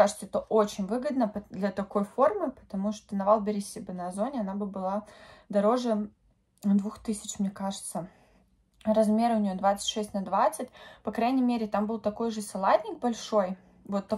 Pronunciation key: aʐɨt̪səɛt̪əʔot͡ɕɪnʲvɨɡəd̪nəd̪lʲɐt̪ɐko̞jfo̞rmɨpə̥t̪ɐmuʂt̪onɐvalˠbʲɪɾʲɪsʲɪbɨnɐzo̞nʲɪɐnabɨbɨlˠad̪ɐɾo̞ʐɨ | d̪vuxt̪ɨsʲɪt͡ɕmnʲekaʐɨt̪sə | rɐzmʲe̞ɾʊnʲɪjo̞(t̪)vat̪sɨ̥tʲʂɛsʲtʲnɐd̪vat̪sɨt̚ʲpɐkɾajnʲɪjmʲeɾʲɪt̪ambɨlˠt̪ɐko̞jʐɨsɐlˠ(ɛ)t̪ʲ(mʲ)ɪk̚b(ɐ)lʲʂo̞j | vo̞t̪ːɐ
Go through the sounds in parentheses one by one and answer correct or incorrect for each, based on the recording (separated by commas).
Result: incorrect, incorrect, incorrect, correct